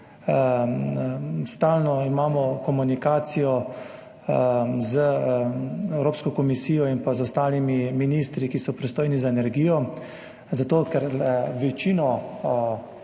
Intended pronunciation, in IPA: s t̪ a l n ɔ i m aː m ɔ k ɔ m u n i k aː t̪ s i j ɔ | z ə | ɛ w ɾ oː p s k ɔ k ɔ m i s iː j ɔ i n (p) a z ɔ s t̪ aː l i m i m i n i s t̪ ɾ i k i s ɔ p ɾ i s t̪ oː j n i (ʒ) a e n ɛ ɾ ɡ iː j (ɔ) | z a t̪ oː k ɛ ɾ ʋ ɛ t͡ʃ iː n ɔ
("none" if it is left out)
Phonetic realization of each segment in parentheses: p, z, ɔ

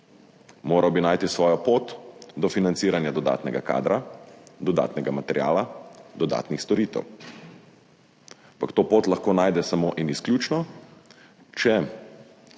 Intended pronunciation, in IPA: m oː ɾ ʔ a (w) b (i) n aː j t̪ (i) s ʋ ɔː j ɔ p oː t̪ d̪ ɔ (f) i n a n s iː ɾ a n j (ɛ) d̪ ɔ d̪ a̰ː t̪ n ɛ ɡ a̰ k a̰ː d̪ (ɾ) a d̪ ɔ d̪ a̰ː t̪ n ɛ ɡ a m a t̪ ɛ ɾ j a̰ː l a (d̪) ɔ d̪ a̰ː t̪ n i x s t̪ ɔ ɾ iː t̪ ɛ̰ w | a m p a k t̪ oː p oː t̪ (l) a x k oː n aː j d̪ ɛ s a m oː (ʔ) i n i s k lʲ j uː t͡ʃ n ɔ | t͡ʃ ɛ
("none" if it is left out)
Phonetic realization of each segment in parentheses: w, i, i, f, a, ɾ, d̪, l, ʔ

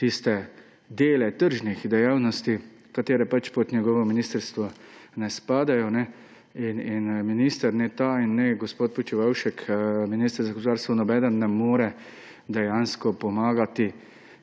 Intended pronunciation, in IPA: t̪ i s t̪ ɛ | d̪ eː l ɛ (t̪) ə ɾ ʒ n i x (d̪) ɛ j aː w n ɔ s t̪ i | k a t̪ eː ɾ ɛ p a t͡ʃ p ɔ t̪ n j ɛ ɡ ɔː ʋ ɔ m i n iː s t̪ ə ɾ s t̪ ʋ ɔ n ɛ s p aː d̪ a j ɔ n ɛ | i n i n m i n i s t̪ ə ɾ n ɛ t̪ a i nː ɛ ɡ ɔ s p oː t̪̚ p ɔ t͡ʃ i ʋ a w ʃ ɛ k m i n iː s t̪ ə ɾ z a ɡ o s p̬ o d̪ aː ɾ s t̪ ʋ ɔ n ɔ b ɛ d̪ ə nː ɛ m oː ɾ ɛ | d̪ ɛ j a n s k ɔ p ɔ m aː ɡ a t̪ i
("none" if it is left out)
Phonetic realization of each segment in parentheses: t̪, d̪

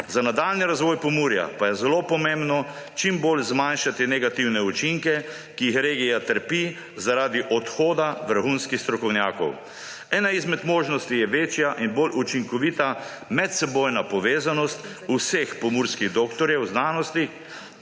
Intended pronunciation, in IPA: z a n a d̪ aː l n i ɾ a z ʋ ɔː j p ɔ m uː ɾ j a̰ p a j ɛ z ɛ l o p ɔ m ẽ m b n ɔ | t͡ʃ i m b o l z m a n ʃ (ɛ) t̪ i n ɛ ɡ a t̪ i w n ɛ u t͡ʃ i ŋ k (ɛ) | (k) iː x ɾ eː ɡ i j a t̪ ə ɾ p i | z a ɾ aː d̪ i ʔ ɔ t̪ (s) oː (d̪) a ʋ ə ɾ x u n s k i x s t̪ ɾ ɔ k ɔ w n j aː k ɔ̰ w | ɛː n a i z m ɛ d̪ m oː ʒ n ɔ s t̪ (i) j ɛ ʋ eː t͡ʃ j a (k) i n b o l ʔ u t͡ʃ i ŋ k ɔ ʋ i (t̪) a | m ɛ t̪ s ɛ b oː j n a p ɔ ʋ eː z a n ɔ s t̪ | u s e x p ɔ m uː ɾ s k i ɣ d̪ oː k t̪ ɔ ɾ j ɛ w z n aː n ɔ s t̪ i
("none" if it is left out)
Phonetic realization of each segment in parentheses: a, ɛ, k, x, d̪, i, ʔ, t̪

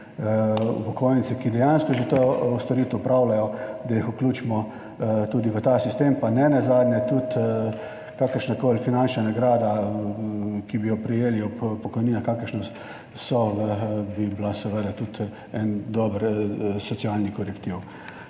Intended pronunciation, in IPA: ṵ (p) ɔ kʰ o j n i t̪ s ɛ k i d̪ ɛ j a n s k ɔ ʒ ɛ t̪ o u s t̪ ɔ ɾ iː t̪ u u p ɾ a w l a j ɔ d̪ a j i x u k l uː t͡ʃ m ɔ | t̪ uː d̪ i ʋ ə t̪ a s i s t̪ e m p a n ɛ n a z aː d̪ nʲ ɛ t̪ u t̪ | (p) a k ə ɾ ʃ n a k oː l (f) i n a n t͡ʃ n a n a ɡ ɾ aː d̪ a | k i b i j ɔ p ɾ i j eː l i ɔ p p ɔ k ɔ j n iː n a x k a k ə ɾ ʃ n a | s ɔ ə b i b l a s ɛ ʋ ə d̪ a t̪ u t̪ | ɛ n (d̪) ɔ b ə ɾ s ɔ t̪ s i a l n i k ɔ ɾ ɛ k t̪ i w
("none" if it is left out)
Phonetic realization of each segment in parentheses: p, k, f, d̪

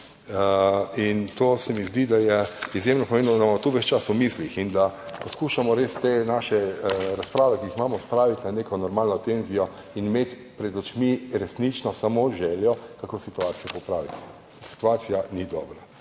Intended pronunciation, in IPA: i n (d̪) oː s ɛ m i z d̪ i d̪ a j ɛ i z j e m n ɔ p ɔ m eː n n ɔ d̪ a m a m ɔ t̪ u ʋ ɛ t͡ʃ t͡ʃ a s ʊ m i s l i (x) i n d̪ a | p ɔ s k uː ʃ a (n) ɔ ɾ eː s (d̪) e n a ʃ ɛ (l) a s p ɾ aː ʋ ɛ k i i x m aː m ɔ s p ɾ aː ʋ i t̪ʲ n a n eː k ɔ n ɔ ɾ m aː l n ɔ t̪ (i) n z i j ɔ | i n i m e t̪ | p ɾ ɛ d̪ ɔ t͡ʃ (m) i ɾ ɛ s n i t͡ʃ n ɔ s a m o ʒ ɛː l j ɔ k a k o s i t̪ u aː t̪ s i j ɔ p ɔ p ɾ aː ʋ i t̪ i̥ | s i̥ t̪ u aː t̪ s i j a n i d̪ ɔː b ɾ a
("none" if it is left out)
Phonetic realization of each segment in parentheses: t̪, x, m, t̪, ɾ, e, m

